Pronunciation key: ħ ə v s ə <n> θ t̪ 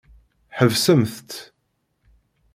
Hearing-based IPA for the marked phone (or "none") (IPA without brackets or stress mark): m